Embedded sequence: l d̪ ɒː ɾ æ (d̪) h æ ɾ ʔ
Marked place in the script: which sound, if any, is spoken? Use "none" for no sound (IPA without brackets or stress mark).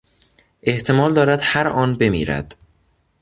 d̪